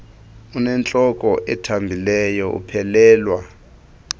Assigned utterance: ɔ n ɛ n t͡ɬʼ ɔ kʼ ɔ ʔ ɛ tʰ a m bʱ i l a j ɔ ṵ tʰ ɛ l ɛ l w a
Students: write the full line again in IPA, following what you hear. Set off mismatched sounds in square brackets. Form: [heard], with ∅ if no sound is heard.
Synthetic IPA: [u] n ɛ n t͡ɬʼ ɔ kʼ ɔ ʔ ɛ tʰ a m bʱ i l [ɛ] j ɔ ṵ [pʰ] ɛ l [ɛː] l w a

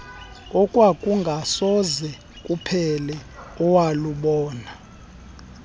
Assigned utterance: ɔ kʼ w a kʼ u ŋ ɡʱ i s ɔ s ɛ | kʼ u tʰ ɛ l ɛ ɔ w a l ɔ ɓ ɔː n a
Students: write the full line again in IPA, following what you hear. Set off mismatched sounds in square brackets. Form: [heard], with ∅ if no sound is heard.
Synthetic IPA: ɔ kʼ w a kʼ u ŋ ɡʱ [a] s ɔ [z] ɛ | kʼ u [pʰ] ɛ l ɛ ɔ w a l [u] ɓ ɔː n a

